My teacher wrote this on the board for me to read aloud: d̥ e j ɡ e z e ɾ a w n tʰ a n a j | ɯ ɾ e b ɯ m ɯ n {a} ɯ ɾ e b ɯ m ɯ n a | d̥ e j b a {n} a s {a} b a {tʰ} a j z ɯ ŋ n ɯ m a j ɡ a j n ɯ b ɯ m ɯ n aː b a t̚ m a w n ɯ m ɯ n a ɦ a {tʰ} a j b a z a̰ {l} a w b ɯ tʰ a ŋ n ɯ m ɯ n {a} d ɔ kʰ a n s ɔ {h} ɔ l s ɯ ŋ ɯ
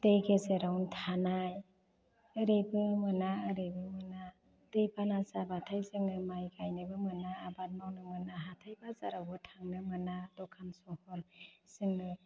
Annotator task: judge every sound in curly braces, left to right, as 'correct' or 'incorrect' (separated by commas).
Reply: correct, correct, correct, correct, correct, incorrect, correct, correct